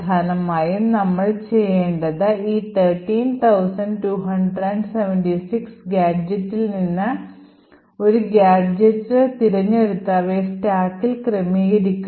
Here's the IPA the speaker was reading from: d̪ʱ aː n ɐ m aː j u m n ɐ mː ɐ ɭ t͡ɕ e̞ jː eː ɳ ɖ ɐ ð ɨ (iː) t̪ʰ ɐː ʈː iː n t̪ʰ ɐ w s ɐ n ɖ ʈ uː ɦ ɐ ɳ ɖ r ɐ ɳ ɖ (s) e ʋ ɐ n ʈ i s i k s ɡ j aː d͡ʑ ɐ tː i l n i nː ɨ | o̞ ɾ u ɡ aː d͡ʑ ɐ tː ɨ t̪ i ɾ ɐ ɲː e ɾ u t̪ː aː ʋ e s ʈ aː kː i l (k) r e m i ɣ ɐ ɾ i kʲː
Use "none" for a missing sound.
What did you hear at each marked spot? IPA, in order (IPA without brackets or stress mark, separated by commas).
iː, s, k